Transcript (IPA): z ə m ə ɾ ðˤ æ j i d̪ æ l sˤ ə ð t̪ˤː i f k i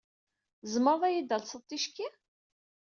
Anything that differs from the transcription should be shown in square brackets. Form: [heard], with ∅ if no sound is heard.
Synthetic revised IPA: z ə m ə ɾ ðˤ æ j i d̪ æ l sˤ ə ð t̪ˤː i [ʃ] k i